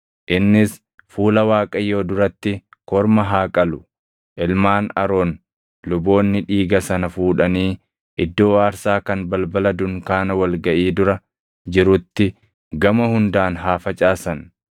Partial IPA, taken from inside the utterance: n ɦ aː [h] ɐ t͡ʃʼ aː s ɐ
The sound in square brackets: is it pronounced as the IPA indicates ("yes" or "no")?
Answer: no